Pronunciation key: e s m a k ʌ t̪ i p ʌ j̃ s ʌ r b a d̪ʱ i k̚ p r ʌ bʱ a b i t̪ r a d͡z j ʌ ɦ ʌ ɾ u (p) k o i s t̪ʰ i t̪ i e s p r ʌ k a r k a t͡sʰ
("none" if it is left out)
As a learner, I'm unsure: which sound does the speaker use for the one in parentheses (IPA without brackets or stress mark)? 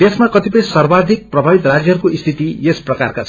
none